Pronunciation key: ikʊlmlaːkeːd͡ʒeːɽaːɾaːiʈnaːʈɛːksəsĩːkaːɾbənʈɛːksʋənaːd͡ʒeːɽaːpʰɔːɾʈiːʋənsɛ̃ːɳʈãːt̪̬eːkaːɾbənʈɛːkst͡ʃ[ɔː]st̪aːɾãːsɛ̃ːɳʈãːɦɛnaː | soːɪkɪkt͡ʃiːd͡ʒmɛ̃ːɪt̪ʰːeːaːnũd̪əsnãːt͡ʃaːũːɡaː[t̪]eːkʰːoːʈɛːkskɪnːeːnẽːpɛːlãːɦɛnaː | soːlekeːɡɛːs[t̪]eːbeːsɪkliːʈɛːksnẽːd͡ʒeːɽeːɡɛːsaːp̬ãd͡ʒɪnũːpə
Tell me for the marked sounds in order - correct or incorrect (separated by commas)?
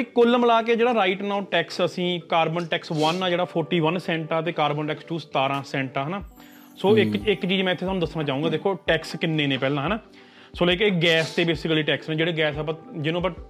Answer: incorrect, incorrect, correct